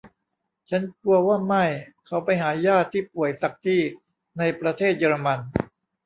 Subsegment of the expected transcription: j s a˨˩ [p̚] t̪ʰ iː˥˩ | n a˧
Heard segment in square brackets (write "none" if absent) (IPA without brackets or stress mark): k̚